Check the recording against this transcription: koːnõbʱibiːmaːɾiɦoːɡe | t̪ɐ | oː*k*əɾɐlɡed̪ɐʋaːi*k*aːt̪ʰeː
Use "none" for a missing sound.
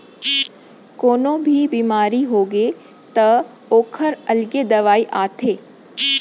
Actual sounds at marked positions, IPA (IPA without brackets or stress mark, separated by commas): kʰ, ʔ